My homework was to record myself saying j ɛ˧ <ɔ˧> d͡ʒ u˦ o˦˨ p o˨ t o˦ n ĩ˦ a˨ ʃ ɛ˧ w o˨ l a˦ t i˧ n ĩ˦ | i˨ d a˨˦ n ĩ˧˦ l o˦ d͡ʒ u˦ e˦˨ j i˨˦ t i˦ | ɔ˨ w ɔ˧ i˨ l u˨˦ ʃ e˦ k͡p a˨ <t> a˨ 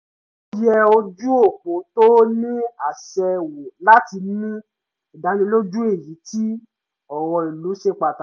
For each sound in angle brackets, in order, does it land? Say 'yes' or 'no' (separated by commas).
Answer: no, yes